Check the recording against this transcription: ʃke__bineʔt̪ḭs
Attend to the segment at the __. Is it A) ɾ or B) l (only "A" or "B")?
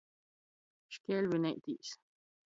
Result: B